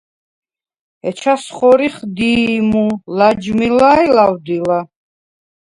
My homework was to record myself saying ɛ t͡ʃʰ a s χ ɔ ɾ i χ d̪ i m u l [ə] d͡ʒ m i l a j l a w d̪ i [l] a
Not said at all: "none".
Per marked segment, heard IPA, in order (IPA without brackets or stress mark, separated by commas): a, l